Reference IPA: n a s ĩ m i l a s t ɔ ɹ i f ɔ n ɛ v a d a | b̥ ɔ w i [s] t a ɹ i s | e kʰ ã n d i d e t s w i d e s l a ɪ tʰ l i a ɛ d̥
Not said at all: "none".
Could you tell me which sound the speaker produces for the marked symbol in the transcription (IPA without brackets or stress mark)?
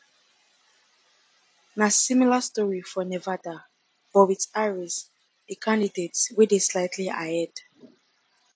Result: none